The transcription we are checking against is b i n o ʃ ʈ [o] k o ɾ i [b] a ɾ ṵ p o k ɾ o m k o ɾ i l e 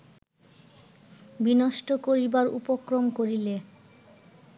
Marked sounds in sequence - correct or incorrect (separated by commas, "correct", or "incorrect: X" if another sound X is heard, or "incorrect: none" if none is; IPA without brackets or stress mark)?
correct, correct